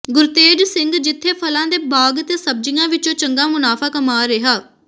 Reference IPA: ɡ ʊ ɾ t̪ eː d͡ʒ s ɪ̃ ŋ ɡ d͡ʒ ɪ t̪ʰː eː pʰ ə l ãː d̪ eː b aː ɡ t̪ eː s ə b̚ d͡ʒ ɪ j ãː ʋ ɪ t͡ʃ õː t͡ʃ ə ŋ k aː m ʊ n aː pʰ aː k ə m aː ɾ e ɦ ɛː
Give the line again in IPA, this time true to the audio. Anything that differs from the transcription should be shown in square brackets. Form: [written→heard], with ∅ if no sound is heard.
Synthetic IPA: ɡ ʊ ɾ t̪ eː d͡ʒ s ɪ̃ ŋ ɡ d͡ʒ ɪ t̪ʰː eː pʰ ə l ãː d̪ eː b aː ɡ t̪ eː s ə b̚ d͡ʒ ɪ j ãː ʋ ɪ t͡ʃ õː t͡ʃ ə ŋ [k→ɡ] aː m ʊ n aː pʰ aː k ə m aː ɾ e ɦ [ɛː→aː]

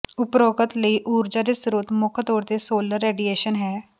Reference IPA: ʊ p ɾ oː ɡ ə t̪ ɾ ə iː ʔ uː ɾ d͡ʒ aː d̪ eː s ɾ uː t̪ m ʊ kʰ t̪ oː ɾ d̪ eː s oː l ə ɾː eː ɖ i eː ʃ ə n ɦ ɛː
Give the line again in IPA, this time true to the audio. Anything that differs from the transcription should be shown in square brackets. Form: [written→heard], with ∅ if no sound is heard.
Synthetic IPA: ʊ p ɾ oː ɡ ə t̪ [ɾ→l] ə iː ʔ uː ɾ d͡ʒ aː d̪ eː s ɾ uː t̪ m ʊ kʰ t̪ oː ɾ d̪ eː s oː l ə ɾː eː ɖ i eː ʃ ə n ɦ ɛː

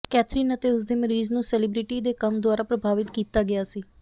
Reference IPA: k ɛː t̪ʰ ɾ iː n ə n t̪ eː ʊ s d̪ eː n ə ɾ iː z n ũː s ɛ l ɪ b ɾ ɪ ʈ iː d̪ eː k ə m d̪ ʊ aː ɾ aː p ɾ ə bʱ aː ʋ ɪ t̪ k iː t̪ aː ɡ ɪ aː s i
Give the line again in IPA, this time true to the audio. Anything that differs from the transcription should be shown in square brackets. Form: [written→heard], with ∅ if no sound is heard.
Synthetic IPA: k ɛː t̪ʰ ɾ iː n ə [n→∅] t̪ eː ʊ s d̪ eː [n→m] ə ɾ iː z n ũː s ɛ l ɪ b ɾ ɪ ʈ iː d̪ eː k ə m d̪ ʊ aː ɾ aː p ɾ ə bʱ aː ʋ ɪ t̪ k iː t̪ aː ɡ ɪ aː s [i→iː]

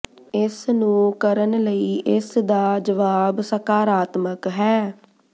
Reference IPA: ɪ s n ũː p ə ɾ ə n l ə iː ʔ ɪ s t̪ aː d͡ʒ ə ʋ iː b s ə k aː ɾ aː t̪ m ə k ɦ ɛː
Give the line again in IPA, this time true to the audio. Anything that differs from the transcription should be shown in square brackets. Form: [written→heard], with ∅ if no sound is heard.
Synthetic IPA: ɪ s n ũː [p→k] ə ɾ ə n l ə iː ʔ ɪ s [t̪→d̪] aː d͡ʒ ə ʋ [iː→aː] b s ə k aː ɾ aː t̪ m ə k ɦ ɛː

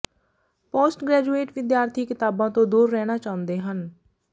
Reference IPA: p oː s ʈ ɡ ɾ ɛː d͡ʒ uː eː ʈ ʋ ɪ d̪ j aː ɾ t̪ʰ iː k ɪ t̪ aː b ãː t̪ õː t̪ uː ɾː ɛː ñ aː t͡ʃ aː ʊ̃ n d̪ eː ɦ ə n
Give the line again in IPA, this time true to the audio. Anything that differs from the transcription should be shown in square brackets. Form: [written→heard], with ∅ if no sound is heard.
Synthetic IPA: p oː s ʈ ɡ ɾ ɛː d͡ʒ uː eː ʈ ʋ ɪ d̪ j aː ɾ t̪ʰ iː k ɪ t̪ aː b ãː t̪ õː [t̪→d̪] uː ɾː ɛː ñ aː t͡ʃ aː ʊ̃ n d̪ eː ɦ ə n

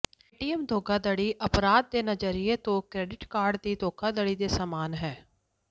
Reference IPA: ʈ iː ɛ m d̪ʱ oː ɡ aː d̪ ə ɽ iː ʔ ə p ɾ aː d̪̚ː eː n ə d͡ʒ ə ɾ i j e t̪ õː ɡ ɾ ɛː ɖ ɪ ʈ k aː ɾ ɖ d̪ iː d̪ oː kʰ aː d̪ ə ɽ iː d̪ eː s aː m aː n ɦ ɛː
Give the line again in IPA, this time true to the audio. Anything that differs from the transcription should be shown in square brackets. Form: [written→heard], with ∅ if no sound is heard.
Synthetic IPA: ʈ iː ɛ m d̪ʱ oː ɡ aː d̪ ə ɽ iː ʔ ə p ɾ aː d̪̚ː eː n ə d͡ʒ ə ɾ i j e t̪ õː [ɡ→k] ɾ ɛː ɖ ɪ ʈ k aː ɾ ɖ d̪ iː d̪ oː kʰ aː d̪ ə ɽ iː d̪ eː s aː m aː n ɦ ɛː

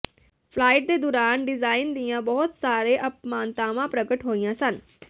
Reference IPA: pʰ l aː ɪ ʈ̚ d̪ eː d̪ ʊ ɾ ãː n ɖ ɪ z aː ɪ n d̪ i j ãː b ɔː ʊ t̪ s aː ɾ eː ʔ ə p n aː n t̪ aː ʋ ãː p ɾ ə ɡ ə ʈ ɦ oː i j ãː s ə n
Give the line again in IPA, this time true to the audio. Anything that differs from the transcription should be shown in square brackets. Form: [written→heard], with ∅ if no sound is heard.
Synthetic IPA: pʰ l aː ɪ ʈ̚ d̪ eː d̪ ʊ ɾ [ãː→aː] n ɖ ɪ z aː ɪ n d̪ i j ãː b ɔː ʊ t̪ s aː ɾ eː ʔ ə p [n→m] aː n t̪ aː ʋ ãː p ɾ ə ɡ ə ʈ ɦ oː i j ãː s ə n

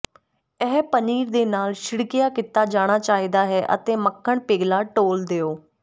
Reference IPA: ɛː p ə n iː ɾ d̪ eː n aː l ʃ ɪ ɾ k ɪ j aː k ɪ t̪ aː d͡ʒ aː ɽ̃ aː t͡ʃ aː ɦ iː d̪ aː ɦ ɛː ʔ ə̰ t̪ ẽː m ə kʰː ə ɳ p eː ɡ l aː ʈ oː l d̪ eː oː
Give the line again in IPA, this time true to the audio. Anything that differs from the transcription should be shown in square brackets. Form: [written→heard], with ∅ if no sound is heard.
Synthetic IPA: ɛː p ə n iː ɾ d̪ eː n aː l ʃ ɪ [ɾ→ɽ] k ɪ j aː k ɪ t̪ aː d͡ʒ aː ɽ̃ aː t͡ʃ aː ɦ iː d̪ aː ɦ ɛː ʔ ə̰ t̪ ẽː m ə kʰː ə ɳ p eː ɡ l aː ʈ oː l d̪ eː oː

